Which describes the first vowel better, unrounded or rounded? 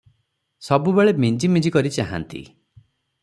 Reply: rounded